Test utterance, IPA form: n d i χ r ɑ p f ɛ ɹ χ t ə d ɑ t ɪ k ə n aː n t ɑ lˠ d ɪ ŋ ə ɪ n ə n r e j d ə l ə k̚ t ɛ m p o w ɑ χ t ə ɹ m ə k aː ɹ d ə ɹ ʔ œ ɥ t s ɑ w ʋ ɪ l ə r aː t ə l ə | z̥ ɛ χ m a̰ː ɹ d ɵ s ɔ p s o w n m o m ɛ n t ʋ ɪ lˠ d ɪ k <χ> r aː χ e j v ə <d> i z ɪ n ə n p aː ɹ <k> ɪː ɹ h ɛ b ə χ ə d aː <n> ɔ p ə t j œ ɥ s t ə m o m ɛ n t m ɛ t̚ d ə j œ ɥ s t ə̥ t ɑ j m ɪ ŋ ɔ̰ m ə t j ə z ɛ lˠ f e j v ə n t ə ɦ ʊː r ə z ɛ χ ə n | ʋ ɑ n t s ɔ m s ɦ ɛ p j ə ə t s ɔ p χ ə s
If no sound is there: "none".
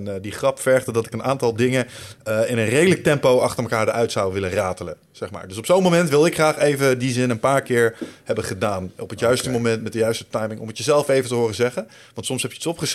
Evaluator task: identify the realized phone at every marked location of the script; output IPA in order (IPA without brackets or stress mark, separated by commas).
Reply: χ, d, k, n